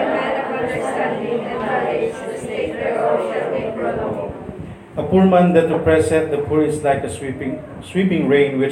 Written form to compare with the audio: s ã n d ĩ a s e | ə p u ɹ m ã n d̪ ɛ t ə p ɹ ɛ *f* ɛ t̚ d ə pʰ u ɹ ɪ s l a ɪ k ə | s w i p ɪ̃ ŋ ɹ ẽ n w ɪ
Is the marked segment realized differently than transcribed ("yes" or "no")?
yes